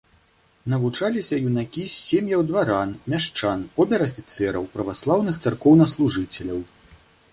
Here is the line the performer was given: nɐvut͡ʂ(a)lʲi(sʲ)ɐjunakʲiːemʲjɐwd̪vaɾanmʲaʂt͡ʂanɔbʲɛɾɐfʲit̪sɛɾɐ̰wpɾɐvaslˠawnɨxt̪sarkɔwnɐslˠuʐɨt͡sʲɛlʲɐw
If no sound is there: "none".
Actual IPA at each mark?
a, sʲ

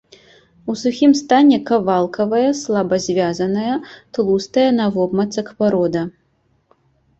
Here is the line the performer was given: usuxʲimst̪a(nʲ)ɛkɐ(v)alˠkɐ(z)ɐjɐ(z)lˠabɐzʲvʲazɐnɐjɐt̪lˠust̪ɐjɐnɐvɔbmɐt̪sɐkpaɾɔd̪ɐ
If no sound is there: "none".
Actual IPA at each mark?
nʲ, v, v, s

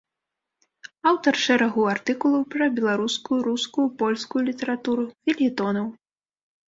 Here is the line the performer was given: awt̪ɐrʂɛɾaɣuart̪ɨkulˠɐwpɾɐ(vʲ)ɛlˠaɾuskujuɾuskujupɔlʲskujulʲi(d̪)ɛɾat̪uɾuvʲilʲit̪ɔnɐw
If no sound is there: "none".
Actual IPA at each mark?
bʲ, t̪

